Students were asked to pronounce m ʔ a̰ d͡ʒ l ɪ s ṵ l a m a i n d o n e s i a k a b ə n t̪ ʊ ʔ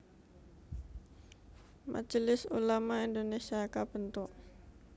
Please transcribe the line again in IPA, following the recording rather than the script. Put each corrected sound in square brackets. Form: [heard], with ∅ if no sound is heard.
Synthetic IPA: m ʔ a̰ d͡ʒ l ɪ s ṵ l a m a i n d o n e s i a k a b ə n t̪ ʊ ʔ